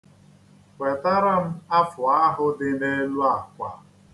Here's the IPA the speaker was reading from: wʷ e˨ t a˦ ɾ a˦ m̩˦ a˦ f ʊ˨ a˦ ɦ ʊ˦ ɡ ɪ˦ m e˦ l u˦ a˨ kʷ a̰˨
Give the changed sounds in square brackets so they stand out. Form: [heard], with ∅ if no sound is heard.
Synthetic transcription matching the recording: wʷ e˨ t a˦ ɾ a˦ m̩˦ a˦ f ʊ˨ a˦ ɦ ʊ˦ [d] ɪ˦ [n] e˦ l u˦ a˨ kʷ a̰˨